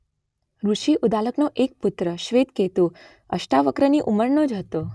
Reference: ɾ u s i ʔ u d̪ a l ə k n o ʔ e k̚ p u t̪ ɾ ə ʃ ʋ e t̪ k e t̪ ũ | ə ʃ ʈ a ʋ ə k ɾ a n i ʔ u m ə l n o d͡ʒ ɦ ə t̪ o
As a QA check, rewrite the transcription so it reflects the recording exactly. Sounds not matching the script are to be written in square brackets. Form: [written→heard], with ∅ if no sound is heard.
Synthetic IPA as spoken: ɾ u [s→ʃ] i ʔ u d̪ a l ə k n o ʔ e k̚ p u t̪ ɾ ə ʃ ʋ e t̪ k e t̪ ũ | ə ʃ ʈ a ʋ ə k ɾ [a→ə] n i ʔ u m ə [l→ɾ] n o d͡ʒ ɦ ə t̪ o

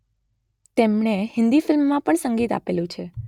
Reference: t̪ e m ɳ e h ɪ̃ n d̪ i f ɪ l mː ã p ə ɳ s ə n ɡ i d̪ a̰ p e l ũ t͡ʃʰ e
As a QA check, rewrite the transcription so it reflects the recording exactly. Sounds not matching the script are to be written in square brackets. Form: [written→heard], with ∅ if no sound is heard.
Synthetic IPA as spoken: t̪ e m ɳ e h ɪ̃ n d̪ i f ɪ l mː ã p ə ɳ s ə [n→ŋ] ɡ i [d̪→t̪] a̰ p e l ũ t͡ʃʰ e

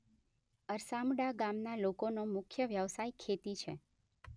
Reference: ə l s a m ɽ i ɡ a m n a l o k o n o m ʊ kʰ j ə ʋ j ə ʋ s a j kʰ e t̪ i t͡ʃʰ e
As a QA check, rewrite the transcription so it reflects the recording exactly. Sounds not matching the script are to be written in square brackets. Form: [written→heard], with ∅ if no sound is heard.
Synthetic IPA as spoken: ə [l→ɾ] s a m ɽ [i→a] ɡ a m n a l o k o n o m ʊ kʰ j ə ʋ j ə ʋ s a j kʰ e t̪ i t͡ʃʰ e

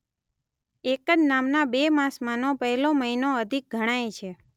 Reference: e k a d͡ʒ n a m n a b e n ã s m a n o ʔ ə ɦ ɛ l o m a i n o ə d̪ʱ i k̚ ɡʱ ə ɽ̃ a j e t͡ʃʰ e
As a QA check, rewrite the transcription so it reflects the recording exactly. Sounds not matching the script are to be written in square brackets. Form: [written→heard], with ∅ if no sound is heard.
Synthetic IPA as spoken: e k [a→ə] d͡ʒ n a m n a b e [n→m] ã s m a n o [ʔ→p] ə ɦ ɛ l o m [a→ə] i n o ə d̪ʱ i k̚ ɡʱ ə ɽ̃ a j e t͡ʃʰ e

